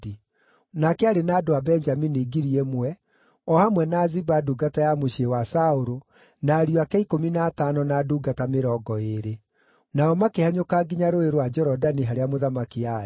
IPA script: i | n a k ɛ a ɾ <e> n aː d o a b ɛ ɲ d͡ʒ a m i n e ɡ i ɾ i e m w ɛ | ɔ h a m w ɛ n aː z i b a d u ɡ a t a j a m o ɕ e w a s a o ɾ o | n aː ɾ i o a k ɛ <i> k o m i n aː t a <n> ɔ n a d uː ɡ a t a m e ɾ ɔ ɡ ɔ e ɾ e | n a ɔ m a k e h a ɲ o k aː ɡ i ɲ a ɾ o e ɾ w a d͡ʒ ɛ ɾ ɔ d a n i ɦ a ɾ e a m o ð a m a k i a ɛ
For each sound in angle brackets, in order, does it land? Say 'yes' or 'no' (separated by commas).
yes, yes, yes